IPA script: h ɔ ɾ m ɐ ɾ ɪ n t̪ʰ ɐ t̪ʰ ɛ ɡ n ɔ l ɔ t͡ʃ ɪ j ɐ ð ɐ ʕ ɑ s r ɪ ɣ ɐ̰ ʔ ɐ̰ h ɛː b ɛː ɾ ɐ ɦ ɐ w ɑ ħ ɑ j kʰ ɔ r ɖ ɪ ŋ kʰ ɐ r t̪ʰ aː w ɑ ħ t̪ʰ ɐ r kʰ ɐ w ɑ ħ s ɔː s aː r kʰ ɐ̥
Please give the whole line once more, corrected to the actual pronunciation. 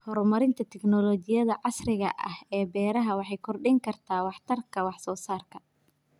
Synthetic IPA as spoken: h ɔ ɾ m ɐ ɾ ɪ n t̪ʰ ɐ t̪ʰ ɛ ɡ n ɔ l ɔ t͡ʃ ɪ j ɐ ð ɐ ʕ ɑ s r ɪ ɣ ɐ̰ ʔ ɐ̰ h ɛː b ɛː ɾ ɐ ɦ ɐ w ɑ ħ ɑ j kʰ ɔ r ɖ ɪ ŋ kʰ ɐ r t̪ʰ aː w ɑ ħ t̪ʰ ɐ r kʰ ɐ w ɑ ħ s ɔː s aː r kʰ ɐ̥